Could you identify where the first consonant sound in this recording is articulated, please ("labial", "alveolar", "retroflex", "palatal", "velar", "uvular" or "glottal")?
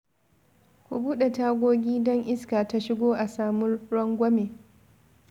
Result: velar